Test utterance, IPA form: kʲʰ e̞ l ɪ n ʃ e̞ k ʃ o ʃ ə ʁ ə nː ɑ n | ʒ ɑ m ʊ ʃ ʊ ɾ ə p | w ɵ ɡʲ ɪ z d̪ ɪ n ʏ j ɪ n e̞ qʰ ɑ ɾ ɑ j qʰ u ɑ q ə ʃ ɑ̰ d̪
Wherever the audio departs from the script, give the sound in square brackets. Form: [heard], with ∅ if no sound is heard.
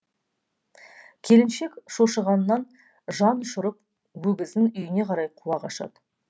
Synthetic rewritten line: kʲʰ e̞ l ɪ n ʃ e̞ k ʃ o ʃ ə ʁ [ɑ] nː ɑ n | ʒ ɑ [n] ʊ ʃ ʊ ɾ ə p | w ɵ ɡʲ ɪ z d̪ ɪ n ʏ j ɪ n e̞ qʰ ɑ ɾ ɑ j qʰ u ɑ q [ɑ] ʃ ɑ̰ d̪